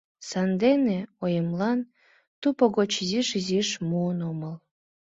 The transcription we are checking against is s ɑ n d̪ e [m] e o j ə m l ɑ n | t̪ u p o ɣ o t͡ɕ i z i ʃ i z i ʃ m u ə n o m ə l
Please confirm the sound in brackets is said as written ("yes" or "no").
no